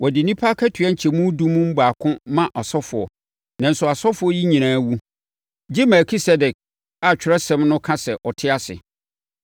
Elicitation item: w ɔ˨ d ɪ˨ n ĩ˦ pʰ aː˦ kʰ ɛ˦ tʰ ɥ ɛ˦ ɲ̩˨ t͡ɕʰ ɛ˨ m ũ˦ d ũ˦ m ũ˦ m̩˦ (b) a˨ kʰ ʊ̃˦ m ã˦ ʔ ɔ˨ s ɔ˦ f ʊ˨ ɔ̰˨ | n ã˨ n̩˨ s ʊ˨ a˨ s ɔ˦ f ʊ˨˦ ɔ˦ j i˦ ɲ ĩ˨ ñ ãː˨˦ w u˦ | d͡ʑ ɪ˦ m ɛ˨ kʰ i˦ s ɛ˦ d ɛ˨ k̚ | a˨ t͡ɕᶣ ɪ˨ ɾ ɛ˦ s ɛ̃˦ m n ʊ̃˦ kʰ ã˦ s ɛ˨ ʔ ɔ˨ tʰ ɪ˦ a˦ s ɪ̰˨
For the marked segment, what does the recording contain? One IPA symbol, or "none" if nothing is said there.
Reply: b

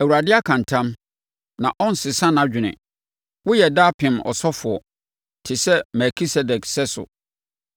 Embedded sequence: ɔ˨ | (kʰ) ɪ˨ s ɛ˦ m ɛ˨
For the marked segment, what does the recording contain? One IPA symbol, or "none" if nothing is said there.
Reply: tʰ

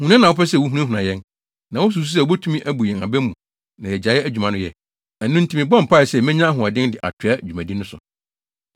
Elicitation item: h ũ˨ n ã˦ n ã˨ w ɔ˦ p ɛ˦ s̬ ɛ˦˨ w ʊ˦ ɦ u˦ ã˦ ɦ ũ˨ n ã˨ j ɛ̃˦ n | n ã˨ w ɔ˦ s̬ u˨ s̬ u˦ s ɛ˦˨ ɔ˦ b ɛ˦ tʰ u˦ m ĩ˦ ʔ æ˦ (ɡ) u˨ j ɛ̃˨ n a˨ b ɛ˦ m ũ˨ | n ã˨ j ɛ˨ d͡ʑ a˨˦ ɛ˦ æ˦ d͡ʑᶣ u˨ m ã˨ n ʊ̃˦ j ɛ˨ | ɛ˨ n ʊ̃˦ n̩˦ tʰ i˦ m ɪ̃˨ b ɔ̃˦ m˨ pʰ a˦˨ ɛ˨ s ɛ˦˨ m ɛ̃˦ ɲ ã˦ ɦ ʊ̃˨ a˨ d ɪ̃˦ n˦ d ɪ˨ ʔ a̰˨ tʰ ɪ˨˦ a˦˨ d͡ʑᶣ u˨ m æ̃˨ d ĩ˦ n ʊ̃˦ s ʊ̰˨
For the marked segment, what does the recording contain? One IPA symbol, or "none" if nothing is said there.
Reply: b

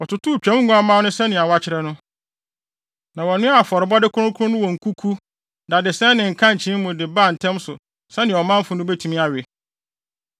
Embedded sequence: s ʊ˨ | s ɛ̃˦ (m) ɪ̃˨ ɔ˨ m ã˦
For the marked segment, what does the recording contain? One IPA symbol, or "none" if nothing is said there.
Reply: n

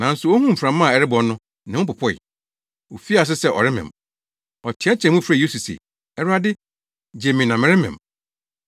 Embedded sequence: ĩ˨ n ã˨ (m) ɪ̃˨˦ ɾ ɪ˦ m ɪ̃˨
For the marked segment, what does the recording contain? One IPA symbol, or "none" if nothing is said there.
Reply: m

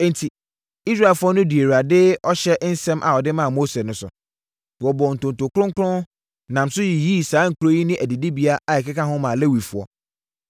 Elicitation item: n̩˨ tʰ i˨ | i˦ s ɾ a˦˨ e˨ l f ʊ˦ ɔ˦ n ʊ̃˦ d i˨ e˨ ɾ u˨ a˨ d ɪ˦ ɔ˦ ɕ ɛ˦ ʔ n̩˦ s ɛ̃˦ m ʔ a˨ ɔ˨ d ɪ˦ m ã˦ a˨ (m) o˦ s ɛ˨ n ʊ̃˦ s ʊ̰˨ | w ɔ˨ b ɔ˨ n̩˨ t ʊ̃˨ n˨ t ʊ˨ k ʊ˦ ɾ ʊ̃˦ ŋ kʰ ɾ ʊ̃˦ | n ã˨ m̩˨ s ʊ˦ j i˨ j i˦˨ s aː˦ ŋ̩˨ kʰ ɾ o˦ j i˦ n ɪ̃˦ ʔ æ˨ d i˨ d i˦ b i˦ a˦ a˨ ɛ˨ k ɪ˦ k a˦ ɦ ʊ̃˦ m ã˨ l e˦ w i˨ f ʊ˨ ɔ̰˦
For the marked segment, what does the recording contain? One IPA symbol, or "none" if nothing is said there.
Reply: m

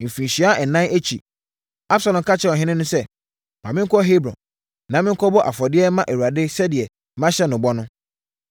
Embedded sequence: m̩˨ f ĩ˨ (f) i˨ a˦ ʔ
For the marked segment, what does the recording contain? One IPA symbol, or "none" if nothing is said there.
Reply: ɕ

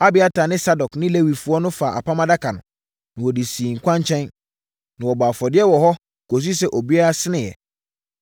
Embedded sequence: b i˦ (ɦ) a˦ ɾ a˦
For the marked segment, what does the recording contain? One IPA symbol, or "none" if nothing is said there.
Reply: none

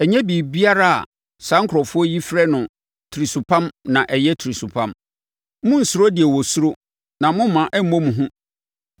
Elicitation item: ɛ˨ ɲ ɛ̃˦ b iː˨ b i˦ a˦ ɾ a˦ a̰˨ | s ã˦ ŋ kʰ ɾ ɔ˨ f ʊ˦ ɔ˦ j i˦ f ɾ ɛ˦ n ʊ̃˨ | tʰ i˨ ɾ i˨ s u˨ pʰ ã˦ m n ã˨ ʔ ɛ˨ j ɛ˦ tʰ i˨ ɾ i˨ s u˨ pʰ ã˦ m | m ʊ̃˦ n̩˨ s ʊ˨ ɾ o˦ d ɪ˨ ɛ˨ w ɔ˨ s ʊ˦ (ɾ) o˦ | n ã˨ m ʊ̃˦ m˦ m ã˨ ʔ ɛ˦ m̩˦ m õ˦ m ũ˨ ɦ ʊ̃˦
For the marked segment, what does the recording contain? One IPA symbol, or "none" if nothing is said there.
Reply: ɾ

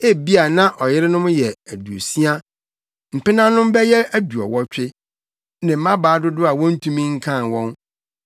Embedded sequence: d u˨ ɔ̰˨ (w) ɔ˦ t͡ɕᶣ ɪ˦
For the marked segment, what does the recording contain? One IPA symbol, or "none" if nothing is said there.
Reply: w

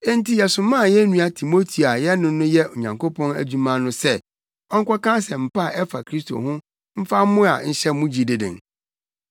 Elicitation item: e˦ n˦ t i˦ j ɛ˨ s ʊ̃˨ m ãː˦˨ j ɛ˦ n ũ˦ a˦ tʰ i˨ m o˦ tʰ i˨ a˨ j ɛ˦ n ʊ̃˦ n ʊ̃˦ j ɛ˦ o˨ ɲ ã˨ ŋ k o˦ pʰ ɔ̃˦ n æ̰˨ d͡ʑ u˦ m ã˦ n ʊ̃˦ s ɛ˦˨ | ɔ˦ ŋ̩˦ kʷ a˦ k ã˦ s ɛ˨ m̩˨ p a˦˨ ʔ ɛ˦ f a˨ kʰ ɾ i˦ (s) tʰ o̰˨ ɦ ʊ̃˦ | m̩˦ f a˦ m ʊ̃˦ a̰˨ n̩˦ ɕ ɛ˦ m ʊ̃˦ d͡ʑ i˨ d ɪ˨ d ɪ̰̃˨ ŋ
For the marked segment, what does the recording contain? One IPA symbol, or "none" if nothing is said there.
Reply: s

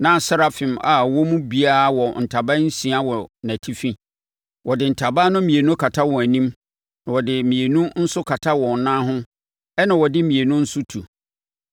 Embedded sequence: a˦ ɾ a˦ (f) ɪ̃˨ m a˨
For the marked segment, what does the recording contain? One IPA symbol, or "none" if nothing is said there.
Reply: f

